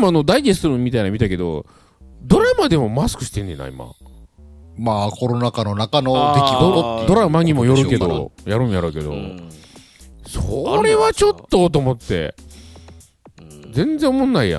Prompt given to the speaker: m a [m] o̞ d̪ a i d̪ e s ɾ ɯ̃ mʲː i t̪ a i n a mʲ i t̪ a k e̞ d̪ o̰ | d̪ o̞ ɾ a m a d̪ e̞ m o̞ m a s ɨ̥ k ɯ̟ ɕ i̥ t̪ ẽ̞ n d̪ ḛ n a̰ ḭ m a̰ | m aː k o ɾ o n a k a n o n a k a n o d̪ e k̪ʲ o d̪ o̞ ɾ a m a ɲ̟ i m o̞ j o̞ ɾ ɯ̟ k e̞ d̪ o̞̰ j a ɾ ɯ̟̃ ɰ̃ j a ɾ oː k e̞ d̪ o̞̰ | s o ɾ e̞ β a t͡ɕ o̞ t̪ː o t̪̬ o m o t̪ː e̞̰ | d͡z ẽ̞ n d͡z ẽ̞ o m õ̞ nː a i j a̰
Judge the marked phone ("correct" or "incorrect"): incorrect